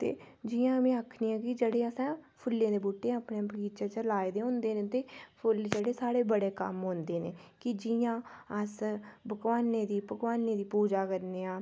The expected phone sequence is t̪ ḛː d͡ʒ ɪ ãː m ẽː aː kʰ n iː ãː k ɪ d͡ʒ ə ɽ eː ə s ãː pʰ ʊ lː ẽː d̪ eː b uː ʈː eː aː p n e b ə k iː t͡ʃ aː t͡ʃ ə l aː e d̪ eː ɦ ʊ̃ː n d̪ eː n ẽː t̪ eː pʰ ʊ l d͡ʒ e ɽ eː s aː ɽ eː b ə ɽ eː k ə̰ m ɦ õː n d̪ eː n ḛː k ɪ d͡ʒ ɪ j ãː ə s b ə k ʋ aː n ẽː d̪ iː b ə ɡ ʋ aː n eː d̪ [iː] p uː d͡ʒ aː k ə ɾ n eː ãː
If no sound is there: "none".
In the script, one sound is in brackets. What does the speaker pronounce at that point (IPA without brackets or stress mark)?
iː